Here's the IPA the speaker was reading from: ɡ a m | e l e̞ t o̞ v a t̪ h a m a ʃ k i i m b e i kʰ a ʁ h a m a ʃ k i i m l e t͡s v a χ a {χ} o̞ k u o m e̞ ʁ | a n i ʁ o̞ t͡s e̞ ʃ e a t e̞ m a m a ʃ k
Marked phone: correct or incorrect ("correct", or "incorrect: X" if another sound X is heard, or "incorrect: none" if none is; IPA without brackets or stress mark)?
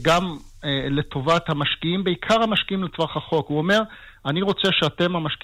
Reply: correct